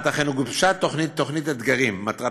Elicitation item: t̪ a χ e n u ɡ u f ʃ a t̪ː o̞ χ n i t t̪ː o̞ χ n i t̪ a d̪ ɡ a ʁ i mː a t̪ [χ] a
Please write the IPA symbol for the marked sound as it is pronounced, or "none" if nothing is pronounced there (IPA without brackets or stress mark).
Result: ʁ